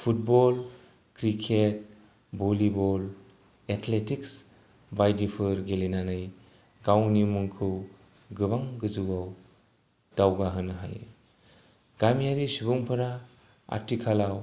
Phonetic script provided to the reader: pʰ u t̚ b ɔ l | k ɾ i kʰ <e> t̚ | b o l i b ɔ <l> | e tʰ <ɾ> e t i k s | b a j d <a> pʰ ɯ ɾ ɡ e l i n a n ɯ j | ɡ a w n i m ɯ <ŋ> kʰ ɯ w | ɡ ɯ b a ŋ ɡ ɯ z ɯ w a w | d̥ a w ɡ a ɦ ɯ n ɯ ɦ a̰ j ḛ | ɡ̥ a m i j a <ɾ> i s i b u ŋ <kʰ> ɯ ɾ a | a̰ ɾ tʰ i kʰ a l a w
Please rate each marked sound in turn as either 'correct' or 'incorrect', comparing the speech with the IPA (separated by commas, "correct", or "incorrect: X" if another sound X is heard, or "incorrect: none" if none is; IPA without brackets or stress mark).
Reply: correct, correct, incorrect: l, incorrect: i, correct, correct, incorrect: pʰ